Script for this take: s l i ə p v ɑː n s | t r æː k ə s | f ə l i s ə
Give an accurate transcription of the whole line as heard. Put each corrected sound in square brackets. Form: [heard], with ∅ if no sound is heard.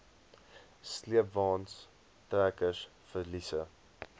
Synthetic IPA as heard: s l i ə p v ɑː n s | t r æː k ə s | f ə l i s ə

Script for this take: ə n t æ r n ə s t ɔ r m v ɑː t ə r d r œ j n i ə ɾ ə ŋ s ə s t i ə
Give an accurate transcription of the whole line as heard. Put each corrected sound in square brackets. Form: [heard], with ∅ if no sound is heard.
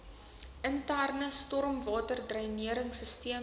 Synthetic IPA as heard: ə n t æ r n ə s t ɔ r m v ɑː t ə r d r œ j n i ə ɾ ə ŋ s ə s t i ə

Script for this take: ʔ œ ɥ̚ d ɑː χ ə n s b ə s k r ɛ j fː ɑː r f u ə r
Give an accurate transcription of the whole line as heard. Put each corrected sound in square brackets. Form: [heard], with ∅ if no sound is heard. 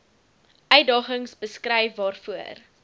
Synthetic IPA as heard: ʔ œ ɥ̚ d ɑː χ ə [ŋ] s b ə s k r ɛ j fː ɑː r f u ə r

